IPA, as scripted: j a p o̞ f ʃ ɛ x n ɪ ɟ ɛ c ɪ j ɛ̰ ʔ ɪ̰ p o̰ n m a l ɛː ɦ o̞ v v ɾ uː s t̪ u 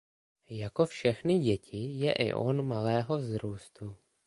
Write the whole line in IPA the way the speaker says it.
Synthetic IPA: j a k o̞ f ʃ ɛ x n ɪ ɟ ɛ c ɪ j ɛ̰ ʔ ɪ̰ ʔ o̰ n m a l ɛː ɦ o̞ v z ɾ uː s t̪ u